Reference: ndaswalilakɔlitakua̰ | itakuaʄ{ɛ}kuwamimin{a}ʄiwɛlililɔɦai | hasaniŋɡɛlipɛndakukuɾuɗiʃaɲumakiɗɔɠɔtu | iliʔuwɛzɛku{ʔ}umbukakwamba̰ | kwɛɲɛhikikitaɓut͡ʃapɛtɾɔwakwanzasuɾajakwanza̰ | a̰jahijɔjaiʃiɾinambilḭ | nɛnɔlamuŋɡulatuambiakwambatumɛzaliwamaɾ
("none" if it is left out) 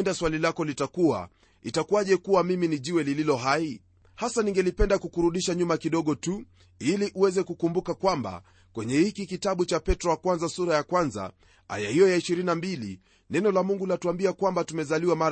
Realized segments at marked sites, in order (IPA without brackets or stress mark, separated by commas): ɛ, i, k